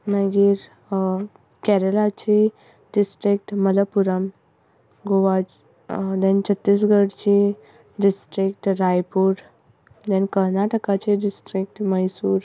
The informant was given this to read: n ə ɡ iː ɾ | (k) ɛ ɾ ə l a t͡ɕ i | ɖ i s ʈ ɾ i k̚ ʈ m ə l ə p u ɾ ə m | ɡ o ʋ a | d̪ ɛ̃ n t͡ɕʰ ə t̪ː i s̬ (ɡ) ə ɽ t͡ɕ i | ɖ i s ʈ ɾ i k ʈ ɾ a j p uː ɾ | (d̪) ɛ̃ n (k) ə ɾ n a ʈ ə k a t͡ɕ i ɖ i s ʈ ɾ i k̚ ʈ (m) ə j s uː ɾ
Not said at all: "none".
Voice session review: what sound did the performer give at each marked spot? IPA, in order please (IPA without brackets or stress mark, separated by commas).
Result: k, ɡ, d̪, k, m